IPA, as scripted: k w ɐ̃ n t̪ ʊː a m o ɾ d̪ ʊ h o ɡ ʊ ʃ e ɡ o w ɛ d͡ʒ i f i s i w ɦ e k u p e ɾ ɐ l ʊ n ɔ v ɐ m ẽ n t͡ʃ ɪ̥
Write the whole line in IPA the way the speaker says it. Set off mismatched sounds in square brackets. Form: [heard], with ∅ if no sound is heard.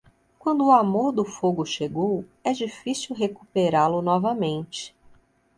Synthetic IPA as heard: k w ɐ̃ n [d̪] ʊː a m o ɾ d̪ ʊ [f] o ɡ ʊ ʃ e ɡ o w ɛ d͡ʒ i f i s i w ɦ e k u p e ɾ [a] l ʊ n ɔ v ɐ m ẽ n t͡ʃ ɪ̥